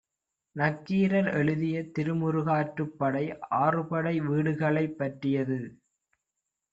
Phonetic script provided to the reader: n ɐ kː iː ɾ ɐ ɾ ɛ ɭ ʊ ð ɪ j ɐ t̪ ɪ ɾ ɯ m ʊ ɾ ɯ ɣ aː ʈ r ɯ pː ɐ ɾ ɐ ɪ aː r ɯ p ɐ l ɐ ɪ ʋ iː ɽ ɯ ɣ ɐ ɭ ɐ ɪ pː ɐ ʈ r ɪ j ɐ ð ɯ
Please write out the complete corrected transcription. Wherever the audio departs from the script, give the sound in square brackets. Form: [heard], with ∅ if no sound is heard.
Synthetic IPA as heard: n ɐ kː iː ɾ ɐ ɾ ɛ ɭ [ɯ] ð ɪ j ɐ t̪ ɪ ɾ ɯ m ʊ ɾ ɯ ɣ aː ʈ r ɯ pː ɐ [ɽ] ɐ ɪ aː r ɯ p ɐ [ɽ] ɐ ɪ ʋ iː ɽ ɯ ɣ ɐ ɭ ɐ ɪ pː ɐ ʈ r ɪ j ɐ ð ɯ